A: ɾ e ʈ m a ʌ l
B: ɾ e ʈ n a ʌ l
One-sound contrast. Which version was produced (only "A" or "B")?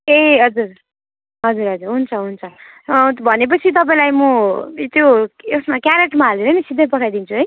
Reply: A